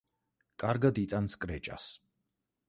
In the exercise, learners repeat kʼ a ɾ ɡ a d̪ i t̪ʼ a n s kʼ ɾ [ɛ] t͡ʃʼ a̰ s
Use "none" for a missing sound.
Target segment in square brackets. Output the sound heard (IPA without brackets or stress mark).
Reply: ɛ